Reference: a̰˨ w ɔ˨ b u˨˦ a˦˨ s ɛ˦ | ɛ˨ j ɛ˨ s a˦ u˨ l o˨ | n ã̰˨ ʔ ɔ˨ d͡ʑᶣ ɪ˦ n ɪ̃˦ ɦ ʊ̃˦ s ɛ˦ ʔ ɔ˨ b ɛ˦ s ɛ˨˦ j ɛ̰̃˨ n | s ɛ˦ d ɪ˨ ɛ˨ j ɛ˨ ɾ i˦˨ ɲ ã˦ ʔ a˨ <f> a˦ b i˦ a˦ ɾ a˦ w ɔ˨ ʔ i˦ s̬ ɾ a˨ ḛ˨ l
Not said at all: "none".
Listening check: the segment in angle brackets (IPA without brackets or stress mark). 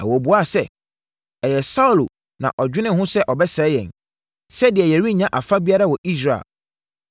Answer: f